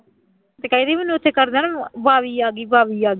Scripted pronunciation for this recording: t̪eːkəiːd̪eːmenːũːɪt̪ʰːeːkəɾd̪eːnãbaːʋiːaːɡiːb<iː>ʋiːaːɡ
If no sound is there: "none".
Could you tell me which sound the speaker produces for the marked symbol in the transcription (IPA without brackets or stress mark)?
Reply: aː